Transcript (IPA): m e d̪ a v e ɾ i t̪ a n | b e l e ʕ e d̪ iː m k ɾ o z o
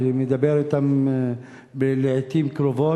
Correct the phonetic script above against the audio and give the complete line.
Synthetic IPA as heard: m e d̪ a b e ɾ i t̪ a m | b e l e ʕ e t̪ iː m k ɾ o v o